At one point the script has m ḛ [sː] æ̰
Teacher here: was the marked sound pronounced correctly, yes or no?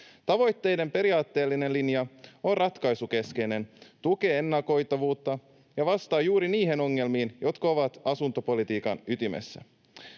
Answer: yes